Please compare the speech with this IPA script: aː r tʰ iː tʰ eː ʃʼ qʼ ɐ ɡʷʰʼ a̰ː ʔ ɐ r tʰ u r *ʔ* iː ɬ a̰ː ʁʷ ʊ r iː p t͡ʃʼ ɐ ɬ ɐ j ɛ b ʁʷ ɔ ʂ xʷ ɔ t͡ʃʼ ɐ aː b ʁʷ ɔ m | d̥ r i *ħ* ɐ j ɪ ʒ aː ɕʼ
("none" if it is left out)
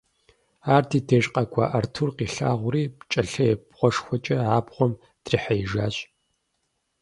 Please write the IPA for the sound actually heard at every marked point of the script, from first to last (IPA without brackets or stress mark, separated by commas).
q, ħ